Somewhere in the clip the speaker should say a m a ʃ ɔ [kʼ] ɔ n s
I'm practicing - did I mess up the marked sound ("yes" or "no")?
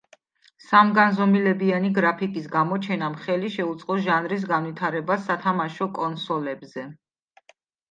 no